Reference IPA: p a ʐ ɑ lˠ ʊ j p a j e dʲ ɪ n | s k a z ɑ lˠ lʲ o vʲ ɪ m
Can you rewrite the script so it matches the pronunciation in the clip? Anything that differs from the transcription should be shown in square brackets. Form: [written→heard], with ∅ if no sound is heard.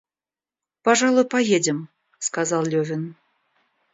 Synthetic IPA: p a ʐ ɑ lˠ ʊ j p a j e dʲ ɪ [n→m] | s k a z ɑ lˠ lʲ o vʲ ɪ [m→n]